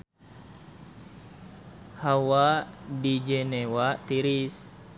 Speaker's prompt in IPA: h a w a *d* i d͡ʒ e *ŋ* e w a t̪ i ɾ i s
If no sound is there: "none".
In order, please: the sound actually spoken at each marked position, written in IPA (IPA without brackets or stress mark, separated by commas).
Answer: d, n